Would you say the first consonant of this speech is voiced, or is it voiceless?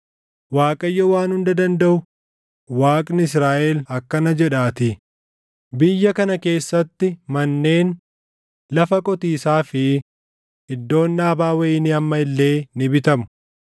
voiced